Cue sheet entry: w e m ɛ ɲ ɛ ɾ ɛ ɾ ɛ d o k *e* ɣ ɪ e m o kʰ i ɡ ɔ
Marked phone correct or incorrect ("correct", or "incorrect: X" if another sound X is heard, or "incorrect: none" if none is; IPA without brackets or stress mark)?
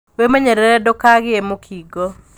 incorrect: a